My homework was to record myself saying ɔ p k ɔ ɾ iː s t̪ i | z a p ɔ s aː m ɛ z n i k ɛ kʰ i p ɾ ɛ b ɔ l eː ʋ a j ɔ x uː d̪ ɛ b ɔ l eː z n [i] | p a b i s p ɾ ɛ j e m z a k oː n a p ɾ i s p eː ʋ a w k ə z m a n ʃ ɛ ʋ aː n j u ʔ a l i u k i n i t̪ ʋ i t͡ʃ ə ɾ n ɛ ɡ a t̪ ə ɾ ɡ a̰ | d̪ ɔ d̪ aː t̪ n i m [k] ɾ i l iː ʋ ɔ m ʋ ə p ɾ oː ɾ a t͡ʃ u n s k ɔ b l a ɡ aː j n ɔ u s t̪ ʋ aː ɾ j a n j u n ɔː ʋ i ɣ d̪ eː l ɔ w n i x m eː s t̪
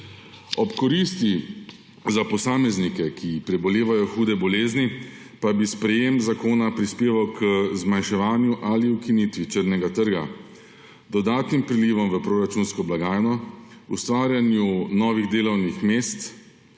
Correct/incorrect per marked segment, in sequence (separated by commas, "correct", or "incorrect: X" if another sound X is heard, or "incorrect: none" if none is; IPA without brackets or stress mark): correct, incorrect: p